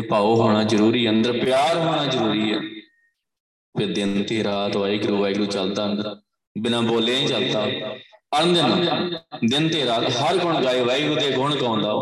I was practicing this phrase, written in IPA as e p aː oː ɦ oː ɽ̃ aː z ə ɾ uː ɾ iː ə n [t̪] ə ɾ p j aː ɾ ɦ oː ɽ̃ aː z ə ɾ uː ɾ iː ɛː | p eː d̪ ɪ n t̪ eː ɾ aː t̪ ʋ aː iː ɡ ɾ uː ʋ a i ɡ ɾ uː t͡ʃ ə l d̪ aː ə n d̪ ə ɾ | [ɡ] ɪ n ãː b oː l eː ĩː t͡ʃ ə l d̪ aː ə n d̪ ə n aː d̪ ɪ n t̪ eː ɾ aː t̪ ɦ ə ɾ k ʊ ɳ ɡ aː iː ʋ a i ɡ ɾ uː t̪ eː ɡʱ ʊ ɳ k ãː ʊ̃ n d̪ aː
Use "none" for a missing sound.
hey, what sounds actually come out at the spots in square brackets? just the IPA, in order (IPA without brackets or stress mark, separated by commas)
d̪, b